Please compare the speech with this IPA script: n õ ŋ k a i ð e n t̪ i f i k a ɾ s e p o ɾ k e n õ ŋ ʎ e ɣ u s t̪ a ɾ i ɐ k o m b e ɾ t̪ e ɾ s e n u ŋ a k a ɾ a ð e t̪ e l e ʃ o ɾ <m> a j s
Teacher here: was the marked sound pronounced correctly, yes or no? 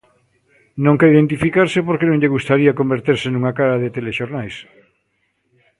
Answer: no